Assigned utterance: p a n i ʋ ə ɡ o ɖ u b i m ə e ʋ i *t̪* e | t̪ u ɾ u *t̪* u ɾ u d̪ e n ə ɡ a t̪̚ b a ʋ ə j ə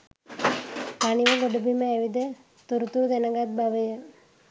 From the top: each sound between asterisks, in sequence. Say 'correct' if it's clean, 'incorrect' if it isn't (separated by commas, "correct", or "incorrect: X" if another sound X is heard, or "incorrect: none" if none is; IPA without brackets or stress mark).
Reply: incorrect: d̪, correct